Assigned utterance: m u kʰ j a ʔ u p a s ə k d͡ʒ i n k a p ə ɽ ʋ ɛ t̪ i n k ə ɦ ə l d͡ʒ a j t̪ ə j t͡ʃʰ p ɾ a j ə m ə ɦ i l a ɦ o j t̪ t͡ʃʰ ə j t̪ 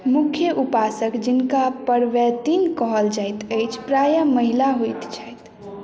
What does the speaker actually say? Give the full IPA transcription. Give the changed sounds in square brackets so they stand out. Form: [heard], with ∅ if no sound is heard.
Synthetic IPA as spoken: m u kʰ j [ə] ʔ u p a s ə k d͡ʒ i n k a p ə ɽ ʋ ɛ t̪ i n k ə ɦ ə l d͡ʒ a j t̪ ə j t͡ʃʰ p ɾ a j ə m ə ɦ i l a ɦ o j t̪ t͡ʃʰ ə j t̪